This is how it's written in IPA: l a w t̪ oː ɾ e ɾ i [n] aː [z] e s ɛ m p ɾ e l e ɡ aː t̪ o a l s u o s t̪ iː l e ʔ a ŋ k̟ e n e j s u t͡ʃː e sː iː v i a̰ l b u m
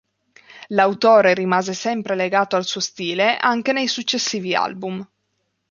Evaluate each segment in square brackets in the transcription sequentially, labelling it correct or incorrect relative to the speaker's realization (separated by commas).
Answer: incorrect, correct